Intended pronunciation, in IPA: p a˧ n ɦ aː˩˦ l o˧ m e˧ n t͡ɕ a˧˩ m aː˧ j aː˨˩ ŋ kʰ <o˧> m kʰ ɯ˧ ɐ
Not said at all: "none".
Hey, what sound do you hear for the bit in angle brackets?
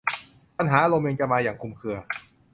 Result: u˧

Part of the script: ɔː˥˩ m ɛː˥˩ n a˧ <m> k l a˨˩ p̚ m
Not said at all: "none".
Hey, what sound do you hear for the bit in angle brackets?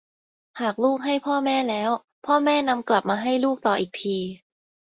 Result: m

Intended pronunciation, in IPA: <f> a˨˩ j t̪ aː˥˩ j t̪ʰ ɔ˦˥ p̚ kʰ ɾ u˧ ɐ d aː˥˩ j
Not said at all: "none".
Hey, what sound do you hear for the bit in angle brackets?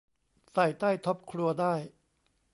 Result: s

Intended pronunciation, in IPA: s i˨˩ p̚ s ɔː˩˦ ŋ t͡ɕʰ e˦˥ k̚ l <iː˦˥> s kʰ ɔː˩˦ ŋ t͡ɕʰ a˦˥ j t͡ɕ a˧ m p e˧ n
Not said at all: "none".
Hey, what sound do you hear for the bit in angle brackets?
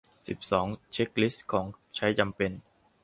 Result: i˦˥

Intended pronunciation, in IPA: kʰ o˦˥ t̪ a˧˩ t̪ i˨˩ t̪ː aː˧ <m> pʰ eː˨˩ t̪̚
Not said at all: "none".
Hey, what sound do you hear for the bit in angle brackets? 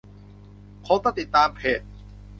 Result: m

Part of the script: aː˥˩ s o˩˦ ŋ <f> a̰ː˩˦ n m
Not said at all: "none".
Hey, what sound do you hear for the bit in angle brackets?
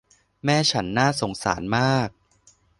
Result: s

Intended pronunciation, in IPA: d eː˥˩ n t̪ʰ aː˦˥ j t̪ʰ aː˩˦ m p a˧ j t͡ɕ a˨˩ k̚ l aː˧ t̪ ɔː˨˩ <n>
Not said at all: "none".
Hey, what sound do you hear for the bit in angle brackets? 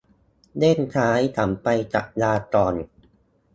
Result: n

